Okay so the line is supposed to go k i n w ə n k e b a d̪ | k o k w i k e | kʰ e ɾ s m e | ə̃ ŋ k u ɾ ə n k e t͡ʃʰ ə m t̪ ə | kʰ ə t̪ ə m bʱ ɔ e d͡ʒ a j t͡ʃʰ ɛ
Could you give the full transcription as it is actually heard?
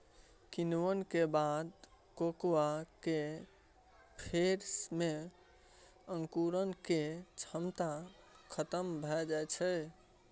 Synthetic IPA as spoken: k i n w ə n k e b a d̪ | k o k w a k e | pʰ e ɾ s m e | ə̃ ŋ k u ɾ ə n k e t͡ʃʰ ə m t̪ a | kʰ ə t̪ ə m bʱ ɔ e d͡ʒ a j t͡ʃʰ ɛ